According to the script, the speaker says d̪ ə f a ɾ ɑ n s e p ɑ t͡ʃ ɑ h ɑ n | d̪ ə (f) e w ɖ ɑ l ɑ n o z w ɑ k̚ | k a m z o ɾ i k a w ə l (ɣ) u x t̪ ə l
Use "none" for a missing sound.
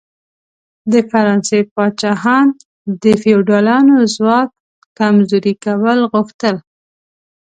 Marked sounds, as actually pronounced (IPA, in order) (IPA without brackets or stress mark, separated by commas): f, ɣ